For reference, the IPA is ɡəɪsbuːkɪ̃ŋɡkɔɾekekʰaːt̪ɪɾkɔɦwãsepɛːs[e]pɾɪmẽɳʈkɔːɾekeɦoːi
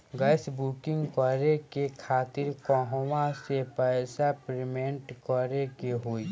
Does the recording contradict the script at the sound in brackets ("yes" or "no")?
yes